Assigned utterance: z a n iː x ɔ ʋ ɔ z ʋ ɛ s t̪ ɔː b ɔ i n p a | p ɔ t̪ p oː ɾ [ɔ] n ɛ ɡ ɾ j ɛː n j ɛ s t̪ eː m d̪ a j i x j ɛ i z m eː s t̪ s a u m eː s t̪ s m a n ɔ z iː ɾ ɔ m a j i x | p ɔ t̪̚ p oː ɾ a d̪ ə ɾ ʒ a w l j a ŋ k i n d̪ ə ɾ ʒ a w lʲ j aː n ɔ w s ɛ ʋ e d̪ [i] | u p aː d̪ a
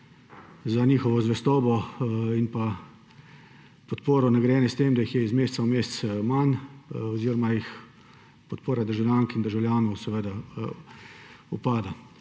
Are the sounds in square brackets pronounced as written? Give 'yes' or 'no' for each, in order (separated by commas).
yes, no